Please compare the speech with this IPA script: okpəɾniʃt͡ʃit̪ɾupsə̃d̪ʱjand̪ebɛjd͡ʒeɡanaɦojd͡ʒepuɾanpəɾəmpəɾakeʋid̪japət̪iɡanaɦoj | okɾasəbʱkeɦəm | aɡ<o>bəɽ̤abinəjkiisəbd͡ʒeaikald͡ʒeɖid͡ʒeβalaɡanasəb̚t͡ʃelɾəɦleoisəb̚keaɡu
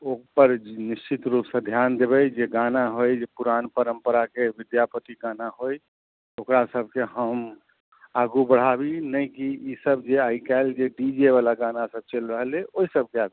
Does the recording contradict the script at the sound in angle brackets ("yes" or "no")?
yes